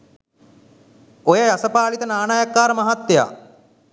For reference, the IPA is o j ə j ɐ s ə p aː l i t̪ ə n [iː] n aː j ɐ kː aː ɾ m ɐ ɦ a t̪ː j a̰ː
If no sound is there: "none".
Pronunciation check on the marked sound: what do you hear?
aː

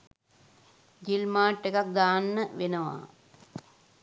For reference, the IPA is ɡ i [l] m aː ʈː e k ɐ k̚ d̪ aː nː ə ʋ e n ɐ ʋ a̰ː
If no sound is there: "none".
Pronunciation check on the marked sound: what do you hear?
l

